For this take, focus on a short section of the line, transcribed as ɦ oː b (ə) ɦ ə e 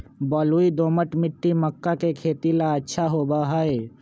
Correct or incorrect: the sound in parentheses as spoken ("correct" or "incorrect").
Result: incorrect